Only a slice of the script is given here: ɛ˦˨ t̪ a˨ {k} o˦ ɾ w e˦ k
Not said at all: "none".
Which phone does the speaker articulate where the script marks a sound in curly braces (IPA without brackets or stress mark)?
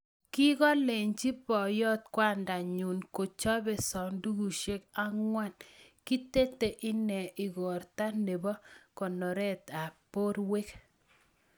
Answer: p